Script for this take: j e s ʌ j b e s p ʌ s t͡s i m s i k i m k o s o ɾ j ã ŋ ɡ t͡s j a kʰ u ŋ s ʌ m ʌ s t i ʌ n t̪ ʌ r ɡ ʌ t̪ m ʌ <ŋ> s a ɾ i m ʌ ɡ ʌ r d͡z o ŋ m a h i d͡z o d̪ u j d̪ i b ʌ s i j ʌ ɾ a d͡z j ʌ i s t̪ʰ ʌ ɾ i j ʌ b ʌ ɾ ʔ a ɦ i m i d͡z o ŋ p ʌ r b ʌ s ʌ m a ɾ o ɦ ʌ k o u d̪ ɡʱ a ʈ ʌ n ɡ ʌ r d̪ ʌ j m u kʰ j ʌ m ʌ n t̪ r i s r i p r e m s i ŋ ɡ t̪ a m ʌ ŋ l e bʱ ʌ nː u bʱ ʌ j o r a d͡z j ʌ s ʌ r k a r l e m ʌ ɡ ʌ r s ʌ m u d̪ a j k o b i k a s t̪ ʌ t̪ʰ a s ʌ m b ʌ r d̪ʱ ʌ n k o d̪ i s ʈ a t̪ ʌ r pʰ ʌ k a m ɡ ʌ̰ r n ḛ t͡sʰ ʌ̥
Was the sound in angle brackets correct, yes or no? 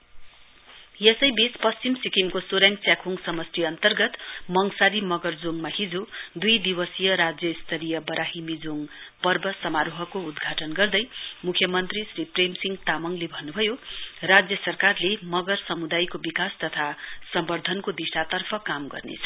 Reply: yes